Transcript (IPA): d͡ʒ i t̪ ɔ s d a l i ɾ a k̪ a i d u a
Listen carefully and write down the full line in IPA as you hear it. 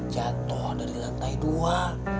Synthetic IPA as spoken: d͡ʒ a t̪ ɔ h d a ɾ i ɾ a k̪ a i d u a